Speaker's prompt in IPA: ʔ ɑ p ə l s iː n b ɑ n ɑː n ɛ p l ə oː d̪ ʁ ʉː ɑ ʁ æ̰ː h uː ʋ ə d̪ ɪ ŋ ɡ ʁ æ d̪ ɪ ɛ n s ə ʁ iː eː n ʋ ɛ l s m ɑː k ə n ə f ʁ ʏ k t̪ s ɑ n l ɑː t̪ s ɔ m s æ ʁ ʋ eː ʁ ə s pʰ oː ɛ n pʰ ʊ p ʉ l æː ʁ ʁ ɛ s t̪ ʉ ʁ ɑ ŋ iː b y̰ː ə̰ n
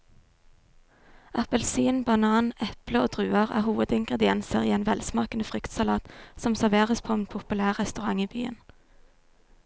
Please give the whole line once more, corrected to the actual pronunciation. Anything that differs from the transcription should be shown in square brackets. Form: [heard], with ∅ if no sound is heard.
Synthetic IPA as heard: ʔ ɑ p ə l s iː n b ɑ n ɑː n ɛ p l ə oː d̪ ʁ ʉː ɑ ʁ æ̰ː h uː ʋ ə d̪ ɪ ŋ ɡ ʁ [ɛ] d̪ ɪ ɛ n s ə ʁ iː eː n ʋ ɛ l s m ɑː k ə n ə f ʁ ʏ k t̪ s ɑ [∅] l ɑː t̪ s ɔ m s æ ʁ ʋ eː ʁ ə s pʰ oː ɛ n pʰ ʊ p ʉ l æː ʁ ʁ ɛ s t̪ ʉ ʁ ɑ ŋ iː b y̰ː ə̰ n